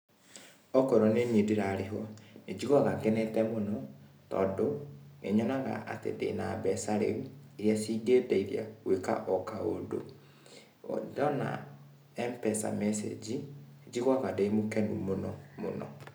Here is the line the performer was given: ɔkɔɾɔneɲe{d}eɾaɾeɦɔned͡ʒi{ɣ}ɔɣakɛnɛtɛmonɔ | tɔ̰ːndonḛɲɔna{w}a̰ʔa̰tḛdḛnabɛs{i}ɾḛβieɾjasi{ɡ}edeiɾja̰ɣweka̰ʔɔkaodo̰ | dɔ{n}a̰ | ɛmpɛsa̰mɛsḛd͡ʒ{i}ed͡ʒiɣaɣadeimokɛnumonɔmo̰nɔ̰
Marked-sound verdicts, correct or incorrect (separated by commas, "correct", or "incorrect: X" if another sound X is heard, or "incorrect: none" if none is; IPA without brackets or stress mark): correct, correct, incorrect: ɣ, incorrect: a, correct, correct, correct